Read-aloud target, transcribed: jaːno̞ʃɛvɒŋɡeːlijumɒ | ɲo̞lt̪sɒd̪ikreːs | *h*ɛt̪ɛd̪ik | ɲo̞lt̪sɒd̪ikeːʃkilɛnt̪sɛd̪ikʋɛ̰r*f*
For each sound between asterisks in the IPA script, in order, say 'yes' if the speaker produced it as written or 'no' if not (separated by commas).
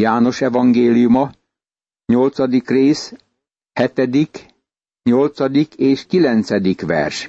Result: yes, no